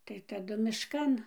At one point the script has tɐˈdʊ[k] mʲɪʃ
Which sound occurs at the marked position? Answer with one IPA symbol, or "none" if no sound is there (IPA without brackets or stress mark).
none